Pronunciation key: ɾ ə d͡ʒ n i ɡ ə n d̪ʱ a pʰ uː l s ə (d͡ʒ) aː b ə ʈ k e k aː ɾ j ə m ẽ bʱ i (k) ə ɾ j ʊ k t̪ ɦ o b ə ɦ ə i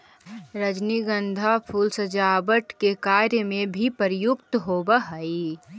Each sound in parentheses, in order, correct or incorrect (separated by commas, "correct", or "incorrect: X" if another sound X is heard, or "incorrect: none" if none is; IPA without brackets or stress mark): correct, incorrect: p